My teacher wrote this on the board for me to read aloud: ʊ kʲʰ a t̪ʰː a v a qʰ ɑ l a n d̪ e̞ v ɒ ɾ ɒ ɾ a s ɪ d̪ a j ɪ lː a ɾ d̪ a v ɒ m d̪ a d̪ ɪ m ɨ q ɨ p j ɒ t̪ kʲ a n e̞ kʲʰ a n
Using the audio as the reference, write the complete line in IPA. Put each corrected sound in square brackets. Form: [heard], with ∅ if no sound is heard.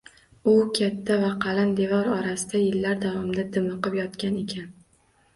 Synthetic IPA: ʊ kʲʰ a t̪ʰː a v a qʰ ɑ l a n d̪ e̞ v ɒ ɾ ɒ ɾ a s ɪ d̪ a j ɪ lː a ɾ d̪ a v ɒ m d̪ a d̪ ɪ m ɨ q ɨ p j ɒ t̪ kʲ a n e̞ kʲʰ a n